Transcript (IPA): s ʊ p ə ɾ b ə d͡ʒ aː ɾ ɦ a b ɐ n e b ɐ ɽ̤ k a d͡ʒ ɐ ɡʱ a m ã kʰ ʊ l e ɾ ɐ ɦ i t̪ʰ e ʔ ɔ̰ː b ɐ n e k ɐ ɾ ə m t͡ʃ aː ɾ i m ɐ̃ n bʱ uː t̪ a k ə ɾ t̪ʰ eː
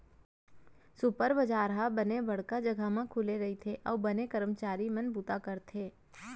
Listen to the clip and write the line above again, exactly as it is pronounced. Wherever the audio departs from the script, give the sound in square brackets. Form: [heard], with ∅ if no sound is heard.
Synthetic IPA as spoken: s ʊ p ə ɾ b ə d͡ʒ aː ɾ ɦ a b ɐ n e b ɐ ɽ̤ k a d͡ʒ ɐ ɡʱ a m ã kʰ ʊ l e ɾ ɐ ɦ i t̪ʰ e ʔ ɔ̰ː b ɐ n e k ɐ ɾ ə m t͡ʃ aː ɾ i m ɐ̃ n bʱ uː t̪ a k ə ɾ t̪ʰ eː